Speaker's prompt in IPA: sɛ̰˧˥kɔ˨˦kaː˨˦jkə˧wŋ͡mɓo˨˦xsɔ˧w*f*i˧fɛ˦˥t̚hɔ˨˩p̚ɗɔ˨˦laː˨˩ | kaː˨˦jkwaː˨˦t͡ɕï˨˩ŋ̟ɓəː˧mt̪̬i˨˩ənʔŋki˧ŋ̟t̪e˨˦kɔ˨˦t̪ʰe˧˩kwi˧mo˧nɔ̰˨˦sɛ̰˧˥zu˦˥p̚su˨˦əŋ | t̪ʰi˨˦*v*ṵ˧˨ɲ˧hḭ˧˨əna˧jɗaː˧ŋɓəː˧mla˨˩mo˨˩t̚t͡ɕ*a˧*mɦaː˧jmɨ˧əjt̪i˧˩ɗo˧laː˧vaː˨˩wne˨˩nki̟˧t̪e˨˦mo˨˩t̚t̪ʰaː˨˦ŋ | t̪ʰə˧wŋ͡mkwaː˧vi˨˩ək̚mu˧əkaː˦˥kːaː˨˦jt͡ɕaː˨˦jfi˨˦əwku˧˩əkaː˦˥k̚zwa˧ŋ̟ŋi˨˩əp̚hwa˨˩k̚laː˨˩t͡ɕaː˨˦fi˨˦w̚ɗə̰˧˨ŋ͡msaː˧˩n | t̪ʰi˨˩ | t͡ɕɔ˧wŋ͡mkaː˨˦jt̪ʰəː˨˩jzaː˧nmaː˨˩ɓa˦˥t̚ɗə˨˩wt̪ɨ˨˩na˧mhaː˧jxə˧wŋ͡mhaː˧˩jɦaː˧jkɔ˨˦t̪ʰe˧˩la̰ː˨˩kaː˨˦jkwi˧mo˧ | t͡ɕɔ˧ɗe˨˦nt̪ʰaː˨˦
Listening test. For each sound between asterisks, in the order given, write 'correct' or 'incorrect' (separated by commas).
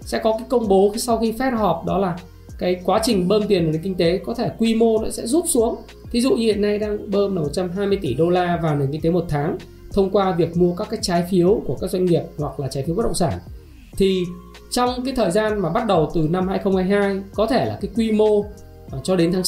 incorrect, incorrect, correct